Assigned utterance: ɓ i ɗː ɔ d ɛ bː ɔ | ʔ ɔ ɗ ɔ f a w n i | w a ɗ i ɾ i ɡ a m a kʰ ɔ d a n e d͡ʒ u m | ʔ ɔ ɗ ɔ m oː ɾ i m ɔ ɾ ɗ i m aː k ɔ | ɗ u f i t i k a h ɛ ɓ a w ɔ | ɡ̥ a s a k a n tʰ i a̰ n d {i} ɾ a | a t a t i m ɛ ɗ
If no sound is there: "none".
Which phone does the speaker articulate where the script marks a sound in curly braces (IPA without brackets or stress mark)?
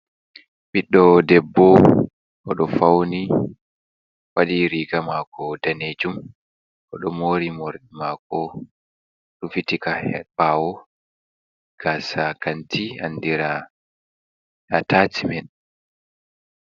i